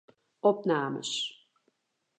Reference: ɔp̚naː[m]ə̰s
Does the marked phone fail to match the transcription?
no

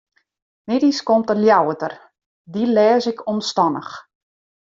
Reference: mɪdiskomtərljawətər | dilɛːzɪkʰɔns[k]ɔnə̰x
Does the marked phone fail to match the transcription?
yes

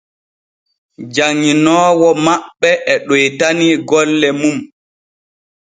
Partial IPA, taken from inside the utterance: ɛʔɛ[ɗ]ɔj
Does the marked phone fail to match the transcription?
no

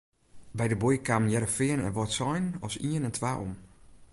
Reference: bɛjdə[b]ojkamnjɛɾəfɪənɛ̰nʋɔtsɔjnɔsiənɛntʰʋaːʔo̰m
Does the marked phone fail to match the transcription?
no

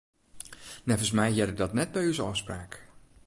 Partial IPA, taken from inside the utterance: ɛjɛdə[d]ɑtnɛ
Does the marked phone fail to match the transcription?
no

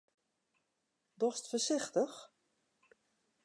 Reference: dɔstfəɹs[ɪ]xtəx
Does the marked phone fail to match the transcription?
no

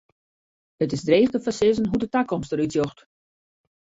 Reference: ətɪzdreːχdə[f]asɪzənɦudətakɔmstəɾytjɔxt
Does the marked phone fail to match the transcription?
no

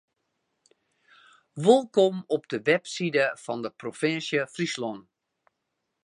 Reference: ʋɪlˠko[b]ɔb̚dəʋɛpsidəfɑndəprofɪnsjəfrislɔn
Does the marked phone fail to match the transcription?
yes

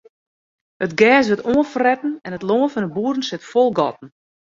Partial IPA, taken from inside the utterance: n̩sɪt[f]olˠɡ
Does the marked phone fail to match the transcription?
no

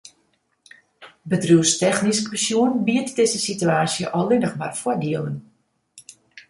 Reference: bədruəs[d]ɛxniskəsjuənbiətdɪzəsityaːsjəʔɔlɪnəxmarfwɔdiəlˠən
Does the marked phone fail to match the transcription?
yes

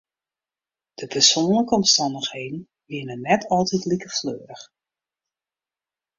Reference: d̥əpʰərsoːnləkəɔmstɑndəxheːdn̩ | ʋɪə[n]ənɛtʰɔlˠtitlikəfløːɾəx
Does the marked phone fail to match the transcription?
no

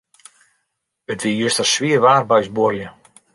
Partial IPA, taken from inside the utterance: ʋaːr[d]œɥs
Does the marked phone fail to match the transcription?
yes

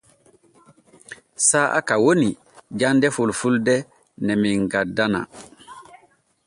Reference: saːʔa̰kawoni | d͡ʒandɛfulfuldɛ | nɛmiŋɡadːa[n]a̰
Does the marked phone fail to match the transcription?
no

